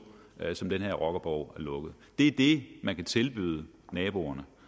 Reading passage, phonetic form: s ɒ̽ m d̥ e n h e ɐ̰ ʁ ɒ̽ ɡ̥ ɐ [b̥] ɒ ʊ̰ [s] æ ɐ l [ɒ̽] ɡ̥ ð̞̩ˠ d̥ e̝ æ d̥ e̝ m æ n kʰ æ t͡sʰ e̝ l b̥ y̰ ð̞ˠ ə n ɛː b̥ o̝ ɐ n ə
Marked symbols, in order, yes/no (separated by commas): yes, no, no